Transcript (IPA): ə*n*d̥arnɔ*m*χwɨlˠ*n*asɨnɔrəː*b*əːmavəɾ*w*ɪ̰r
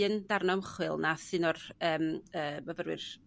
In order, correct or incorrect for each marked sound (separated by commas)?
correct, correct, correct, incorrect, correct